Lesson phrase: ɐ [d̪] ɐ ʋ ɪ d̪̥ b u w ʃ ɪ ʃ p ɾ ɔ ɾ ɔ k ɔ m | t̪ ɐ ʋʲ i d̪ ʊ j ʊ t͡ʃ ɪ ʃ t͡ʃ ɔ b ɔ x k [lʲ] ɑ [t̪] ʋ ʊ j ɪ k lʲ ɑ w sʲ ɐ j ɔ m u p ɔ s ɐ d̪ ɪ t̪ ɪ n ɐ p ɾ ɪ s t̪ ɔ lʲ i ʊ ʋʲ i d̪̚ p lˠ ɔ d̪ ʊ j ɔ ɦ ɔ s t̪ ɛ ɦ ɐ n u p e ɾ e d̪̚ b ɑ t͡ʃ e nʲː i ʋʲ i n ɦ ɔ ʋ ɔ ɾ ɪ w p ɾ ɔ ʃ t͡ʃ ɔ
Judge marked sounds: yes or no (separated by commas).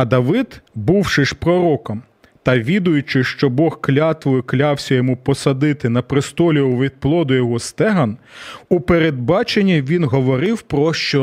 yes, yes, yes